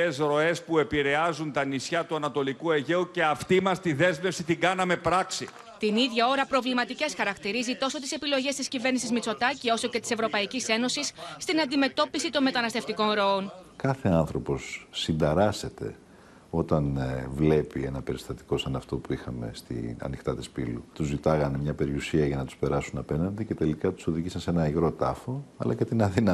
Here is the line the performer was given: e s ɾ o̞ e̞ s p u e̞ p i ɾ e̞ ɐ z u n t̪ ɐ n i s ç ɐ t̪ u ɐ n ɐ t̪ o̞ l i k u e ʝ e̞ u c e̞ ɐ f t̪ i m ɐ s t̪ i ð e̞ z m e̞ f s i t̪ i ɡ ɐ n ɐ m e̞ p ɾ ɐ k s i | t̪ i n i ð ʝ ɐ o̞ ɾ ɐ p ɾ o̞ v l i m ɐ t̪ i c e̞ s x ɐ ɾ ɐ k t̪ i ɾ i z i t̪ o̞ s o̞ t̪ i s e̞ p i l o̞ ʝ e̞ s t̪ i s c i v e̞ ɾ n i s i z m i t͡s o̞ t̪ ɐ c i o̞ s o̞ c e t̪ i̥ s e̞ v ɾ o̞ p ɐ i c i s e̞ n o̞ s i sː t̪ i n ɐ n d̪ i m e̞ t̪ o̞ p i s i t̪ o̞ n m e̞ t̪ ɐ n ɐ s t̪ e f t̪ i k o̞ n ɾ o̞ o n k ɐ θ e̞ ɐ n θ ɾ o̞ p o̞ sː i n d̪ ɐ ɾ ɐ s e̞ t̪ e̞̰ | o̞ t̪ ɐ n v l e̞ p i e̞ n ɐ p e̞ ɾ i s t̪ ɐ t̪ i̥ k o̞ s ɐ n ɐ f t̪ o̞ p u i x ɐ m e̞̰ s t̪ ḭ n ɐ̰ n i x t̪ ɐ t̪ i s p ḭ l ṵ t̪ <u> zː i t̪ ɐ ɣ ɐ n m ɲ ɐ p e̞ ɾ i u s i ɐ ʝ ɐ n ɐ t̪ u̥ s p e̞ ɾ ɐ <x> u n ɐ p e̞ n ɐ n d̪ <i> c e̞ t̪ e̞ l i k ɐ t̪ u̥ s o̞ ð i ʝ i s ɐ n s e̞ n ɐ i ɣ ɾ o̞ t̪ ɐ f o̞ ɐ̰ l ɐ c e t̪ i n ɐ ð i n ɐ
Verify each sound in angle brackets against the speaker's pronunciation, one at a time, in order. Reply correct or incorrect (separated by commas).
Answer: correct, incorrect, correct